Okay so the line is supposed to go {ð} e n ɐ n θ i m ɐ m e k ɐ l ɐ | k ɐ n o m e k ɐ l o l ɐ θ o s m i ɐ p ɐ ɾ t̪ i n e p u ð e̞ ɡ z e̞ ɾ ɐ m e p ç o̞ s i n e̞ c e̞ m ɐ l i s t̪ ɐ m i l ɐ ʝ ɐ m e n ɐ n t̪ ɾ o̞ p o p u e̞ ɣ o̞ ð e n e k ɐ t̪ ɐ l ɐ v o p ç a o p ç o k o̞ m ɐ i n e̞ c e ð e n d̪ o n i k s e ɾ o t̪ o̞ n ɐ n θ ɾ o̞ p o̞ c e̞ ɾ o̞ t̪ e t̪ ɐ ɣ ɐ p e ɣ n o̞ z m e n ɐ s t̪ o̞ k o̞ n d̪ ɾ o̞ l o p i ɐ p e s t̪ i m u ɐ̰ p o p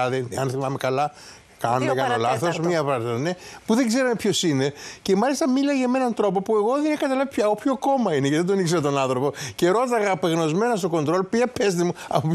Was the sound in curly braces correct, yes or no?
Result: yes